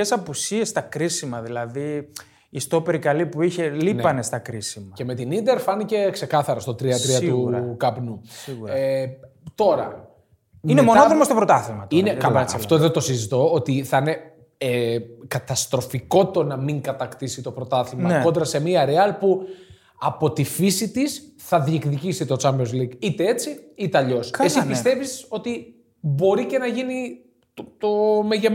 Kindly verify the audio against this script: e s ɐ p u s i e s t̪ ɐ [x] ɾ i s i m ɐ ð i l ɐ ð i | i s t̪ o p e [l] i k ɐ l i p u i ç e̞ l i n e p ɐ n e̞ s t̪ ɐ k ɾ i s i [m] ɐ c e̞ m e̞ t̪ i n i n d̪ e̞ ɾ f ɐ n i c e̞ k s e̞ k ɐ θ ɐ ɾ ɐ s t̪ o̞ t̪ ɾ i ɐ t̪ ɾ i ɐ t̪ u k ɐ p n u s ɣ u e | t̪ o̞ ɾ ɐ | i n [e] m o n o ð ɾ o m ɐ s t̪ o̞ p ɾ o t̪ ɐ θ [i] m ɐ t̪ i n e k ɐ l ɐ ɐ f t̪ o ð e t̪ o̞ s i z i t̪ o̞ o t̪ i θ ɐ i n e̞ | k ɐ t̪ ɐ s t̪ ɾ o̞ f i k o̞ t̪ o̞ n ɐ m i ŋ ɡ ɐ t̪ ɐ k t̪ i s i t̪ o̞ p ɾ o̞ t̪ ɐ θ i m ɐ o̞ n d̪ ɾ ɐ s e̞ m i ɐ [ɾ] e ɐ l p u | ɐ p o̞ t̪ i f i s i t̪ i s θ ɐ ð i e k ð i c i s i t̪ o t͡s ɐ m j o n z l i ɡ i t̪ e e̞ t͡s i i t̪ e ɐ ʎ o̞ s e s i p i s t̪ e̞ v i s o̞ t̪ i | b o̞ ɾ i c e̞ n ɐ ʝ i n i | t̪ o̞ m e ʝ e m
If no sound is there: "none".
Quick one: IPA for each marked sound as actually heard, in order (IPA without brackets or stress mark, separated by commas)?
k, ɾ, m, e, i, ɾ